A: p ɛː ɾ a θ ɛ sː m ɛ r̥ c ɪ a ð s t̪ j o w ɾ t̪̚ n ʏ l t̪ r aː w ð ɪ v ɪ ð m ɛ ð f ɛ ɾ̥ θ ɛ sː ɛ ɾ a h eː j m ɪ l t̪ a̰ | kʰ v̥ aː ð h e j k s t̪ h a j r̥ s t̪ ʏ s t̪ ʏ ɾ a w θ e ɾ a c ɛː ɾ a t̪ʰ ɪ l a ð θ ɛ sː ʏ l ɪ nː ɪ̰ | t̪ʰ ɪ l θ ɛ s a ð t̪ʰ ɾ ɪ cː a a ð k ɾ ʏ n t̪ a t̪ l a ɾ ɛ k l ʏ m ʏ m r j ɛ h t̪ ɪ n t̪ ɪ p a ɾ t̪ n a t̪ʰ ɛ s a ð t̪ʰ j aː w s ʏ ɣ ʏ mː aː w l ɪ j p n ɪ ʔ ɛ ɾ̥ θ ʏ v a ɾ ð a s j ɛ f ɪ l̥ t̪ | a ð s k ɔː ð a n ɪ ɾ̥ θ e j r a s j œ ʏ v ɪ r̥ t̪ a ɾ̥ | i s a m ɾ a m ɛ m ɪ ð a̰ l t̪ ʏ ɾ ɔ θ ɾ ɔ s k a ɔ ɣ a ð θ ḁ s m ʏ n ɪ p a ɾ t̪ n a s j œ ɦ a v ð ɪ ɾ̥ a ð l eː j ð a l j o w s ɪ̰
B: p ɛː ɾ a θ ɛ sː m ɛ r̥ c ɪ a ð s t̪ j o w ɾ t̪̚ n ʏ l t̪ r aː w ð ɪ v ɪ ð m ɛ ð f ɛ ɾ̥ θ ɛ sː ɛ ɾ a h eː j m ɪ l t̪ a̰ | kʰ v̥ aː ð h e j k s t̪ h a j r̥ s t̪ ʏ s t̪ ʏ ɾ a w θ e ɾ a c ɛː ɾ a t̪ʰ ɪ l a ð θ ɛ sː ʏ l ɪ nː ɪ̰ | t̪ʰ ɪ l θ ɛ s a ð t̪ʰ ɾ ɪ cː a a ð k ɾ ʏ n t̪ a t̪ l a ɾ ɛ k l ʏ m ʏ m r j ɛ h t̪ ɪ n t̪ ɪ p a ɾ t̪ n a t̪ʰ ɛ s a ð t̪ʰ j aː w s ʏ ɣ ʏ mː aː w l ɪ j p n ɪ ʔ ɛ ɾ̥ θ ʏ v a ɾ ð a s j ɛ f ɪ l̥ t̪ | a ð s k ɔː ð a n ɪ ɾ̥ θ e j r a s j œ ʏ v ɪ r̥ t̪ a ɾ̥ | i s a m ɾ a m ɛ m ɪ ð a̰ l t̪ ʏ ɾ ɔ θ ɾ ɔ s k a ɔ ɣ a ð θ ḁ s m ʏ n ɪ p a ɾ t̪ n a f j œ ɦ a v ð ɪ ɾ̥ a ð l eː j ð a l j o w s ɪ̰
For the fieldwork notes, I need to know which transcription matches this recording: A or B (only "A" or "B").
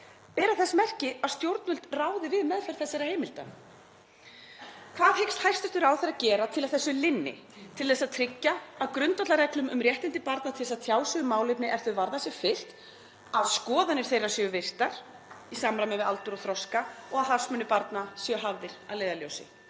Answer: A